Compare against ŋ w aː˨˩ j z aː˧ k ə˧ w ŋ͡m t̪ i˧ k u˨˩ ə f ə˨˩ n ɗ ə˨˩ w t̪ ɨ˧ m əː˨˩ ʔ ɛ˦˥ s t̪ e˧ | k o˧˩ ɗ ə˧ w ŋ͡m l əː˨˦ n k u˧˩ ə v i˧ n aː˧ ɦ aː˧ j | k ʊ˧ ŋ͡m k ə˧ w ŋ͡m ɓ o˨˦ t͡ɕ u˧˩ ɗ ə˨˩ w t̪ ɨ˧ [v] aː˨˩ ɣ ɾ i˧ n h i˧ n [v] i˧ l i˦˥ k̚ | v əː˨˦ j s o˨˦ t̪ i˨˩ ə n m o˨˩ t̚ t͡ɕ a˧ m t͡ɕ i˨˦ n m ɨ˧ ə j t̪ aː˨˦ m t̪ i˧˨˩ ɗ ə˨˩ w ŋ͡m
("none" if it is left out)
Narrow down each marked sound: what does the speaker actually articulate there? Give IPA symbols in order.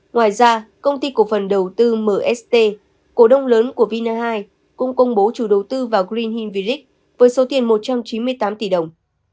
v, v

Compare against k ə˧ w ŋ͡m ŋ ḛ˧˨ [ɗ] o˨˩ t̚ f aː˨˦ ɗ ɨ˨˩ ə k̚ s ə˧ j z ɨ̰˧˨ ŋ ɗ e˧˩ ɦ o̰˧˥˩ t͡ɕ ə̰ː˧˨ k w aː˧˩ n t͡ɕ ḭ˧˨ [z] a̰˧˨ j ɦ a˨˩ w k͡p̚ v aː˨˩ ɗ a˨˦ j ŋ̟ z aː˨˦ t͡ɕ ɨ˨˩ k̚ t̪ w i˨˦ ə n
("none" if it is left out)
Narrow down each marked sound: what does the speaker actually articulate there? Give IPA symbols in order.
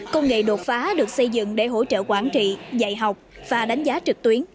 ɗ, z

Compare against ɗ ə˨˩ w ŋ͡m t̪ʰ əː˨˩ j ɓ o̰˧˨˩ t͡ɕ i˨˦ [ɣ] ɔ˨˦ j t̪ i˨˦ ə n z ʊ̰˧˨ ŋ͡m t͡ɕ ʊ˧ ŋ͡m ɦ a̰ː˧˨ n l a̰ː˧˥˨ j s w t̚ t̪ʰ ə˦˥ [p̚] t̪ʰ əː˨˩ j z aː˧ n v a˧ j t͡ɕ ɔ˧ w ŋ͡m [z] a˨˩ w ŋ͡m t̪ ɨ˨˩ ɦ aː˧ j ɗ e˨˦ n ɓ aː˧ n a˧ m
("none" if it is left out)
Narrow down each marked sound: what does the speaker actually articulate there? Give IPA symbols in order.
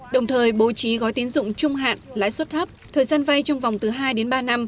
ɣ, p̚, v

